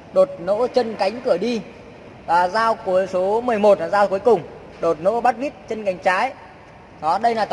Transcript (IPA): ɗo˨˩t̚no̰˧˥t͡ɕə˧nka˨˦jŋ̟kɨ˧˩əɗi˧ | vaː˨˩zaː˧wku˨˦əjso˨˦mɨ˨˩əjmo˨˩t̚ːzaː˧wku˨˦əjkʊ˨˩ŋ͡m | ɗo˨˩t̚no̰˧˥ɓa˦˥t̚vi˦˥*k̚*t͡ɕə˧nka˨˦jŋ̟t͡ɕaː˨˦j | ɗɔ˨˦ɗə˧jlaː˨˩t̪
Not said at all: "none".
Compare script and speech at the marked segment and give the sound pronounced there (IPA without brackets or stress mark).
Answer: t̚